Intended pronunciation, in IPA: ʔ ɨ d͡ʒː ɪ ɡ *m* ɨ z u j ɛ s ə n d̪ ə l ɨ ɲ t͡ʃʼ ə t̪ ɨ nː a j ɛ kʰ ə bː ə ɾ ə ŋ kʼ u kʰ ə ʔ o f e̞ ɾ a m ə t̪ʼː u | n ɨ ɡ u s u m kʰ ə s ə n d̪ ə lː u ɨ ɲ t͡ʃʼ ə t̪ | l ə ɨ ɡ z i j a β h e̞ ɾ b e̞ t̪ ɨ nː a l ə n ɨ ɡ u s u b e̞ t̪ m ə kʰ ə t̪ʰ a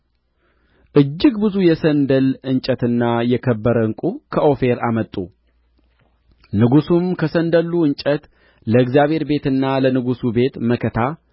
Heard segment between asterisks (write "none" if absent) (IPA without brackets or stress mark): b